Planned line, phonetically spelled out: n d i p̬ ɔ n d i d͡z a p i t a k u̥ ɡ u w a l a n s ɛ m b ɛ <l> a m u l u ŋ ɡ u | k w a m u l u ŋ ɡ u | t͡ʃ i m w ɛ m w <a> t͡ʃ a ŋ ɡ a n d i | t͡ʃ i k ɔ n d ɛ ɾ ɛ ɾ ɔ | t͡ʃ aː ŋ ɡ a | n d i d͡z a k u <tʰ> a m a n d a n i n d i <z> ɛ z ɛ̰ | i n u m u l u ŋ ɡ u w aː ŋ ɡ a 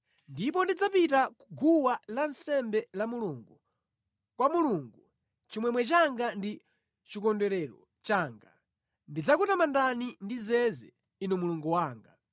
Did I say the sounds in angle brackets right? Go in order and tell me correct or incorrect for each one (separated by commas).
correct, incorrect, incorrect, correct